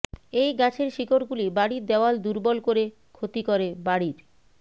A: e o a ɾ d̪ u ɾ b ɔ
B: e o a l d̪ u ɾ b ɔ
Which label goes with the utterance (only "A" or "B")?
B